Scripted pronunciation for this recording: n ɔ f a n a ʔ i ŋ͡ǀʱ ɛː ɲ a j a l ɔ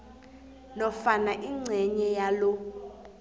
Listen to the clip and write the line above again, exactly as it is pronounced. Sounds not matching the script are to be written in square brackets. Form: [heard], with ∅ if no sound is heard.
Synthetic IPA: n ɔ f a n a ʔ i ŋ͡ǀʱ [ɛ] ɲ [ɛ] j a l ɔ